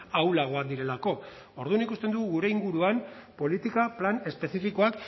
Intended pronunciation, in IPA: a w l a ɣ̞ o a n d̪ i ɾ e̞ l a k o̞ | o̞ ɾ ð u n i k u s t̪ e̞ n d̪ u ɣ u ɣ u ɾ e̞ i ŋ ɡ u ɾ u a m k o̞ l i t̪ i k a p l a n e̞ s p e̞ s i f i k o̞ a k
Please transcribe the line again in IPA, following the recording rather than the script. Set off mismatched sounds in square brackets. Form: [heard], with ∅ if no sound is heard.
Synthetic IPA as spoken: a w l a ɣ̞ o a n d̪ i ɾ e̞ l a k o̞ | o̞ ɾ ð u n i k u s t̪ e̞ n d̪ u ɣ u ɣ u ɾ e̞ i ŋ ɡ u ɾ u a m [p] o̞ l i t̪ i k a p l a n e̞ s p e̞ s i f i k o̞ a k